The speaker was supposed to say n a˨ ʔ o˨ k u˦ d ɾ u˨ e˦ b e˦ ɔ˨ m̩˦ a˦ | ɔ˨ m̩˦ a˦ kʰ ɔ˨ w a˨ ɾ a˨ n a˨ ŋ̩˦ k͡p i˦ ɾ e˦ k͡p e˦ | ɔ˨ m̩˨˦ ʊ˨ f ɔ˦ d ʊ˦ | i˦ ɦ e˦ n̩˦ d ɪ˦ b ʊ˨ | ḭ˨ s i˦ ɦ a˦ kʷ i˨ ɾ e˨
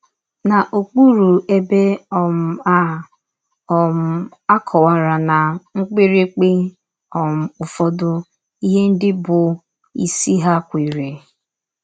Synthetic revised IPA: n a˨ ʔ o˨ k͡p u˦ ɾ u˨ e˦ b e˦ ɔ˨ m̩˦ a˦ | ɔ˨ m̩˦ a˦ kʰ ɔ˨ w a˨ ɾ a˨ n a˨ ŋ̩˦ k͡p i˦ ɾ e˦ k͡p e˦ | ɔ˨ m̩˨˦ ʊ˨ f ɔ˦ d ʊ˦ | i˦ ɦ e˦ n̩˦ d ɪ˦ b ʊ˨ | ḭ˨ s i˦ ɦ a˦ kʷ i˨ ɾ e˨